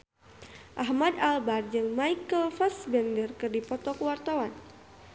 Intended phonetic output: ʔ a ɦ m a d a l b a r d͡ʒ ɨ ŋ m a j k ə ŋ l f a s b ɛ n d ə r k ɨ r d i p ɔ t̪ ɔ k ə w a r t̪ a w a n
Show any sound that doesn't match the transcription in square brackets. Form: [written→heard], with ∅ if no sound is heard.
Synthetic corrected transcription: ʔ a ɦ m a d a l b a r d͡ʒ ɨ ŋ m a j k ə [ŋ→∅] l f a s b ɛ n d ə r k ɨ r d i p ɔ t̪ ɔ k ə w a r t̪ a w a n